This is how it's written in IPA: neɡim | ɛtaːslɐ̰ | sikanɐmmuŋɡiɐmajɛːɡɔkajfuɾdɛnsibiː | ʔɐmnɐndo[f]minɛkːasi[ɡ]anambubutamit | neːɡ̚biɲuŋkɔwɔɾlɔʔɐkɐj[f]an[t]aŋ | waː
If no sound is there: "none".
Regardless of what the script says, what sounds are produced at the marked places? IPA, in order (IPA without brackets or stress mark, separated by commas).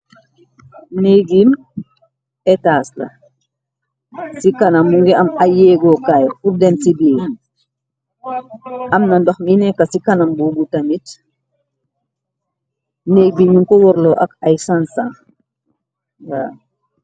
x, k, s, s